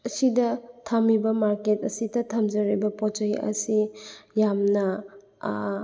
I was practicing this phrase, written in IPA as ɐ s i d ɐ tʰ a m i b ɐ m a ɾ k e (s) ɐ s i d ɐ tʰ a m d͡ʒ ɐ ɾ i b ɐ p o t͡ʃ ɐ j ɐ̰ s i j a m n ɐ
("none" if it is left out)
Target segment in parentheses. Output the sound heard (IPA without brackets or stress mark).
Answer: t